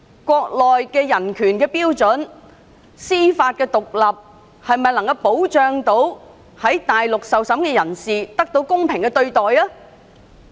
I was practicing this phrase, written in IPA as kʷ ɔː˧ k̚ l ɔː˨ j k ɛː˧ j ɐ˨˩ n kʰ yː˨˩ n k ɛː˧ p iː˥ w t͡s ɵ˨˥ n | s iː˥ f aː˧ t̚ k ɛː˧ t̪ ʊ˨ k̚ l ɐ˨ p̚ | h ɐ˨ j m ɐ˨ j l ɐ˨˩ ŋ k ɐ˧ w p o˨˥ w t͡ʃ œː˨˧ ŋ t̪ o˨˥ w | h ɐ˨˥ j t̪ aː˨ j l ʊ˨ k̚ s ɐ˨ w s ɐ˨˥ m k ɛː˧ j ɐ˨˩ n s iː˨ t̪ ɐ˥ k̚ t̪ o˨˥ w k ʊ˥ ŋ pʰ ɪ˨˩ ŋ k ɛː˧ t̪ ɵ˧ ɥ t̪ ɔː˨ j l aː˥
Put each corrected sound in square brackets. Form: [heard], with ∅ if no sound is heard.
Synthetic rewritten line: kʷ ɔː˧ k̚ l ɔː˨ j k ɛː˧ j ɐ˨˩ n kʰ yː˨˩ n k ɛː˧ p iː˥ w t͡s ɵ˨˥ n | s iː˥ f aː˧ t̚ k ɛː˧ t̪ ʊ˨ k̚ l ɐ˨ p̚ | h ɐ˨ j m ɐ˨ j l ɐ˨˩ ŋ k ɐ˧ w p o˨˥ w t͡ʃ œː˨˧ ŋ t̪ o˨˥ w | h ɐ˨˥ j t̪ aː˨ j l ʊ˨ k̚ s ɐ˨ w s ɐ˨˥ m k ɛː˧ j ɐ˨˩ n s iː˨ t̪ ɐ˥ k̚ t̪ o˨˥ w k ʊ˥ ŋ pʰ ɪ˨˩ ŋ k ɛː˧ t̪ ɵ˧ ɥ t̪ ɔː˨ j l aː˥

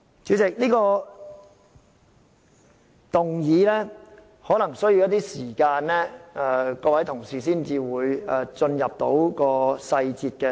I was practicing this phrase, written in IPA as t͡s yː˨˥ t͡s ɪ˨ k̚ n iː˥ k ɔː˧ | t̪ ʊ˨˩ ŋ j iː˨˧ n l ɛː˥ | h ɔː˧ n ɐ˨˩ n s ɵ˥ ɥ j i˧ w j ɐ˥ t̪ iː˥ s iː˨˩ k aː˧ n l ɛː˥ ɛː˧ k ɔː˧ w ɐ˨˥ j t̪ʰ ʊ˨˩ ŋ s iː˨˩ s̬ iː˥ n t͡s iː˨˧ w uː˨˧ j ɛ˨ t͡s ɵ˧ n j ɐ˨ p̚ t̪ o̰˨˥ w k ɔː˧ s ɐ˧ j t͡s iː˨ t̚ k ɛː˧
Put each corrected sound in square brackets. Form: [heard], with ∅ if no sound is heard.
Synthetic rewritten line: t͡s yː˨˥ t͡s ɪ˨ k̚ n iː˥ k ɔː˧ | t̪ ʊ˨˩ ŋ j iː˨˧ [∅] l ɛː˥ | h [ɔː˨˥] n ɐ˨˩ [ŋ] s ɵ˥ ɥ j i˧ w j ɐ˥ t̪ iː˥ s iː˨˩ k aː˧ n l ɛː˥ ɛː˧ k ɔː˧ w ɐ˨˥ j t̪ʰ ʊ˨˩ ŋ s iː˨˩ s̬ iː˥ n t͡s iː˨˧ w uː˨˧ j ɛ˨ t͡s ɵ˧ n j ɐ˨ p̚ t̪ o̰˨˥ w k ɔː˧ s ɐ˧ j t͡s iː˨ t̚ k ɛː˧

